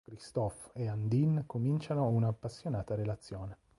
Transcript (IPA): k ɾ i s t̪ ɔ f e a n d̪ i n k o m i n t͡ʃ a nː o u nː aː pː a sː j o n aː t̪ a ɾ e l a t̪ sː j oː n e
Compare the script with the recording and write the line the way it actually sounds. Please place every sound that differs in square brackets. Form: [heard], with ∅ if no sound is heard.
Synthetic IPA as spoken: k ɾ i s t̪ ɔ f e a n d̪ i n k o m i n t͡ʃ a [n] o u [n] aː pː a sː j o n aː t̪ a ɾ e l a t̪ sː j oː n e